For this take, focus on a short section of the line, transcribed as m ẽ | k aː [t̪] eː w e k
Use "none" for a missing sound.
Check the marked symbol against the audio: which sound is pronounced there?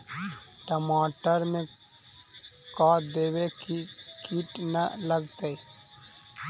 d̪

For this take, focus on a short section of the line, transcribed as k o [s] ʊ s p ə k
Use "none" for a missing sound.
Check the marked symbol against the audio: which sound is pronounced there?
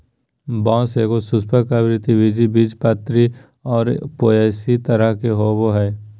s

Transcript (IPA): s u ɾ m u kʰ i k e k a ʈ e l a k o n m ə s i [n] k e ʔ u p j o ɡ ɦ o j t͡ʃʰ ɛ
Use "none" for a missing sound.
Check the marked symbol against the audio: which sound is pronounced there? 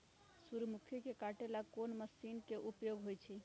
n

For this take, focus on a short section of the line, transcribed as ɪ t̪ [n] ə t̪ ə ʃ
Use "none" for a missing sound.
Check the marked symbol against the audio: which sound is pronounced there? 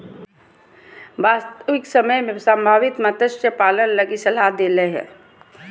m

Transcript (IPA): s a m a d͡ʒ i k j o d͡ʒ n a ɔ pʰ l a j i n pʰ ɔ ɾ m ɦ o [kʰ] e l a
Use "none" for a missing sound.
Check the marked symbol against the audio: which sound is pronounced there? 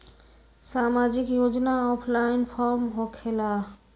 kʰ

